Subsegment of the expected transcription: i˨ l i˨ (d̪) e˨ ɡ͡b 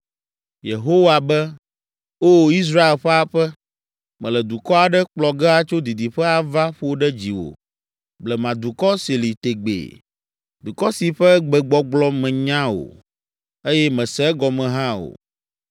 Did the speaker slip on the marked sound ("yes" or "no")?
yes